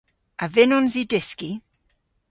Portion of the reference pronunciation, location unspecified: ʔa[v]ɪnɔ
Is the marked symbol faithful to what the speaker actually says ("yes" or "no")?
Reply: yes